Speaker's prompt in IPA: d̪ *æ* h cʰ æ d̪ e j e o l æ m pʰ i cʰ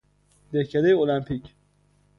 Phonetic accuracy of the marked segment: incorrect: e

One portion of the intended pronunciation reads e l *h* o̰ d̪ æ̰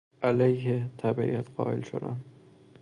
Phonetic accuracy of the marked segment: incorrect: ʃ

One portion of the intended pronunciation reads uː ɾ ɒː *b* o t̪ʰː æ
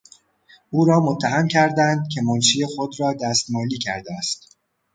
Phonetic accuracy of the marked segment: incorrect: m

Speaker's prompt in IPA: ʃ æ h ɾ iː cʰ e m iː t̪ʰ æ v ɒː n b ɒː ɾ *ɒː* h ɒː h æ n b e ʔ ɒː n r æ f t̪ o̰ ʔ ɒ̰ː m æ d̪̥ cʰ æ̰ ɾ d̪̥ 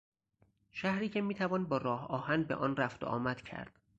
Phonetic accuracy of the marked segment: correct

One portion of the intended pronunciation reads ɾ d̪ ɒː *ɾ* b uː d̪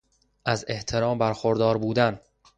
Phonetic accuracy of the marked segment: correct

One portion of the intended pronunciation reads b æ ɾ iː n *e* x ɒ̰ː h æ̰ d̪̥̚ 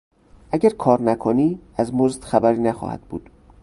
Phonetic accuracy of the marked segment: incorrect: æ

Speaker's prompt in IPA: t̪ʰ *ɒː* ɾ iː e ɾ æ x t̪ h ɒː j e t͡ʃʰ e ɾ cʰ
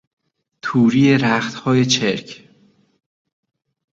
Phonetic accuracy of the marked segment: incorrect: uː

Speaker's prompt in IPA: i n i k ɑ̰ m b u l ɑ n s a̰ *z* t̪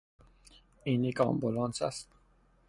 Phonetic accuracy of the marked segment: incorrect: s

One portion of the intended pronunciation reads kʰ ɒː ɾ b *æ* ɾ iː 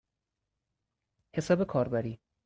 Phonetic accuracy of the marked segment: correct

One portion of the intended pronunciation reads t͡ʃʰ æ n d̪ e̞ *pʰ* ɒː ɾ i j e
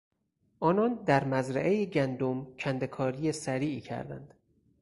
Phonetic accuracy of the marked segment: incorrect: kʰ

